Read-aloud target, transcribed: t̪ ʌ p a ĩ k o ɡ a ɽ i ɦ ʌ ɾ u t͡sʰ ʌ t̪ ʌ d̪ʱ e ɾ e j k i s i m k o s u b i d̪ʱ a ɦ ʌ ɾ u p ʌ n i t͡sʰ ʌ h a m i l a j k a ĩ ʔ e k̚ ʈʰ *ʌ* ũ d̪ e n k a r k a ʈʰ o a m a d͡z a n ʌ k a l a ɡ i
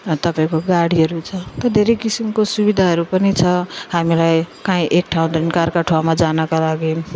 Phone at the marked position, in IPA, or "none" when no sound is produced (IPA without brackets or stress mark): a